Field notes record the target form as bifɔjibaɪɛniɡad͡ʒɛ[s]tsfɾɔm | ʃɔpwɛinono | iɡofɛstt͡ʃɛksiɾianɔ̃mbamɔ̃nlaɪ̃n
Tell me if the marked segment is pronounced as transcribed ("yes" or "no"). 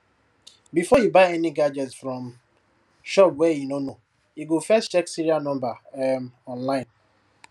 no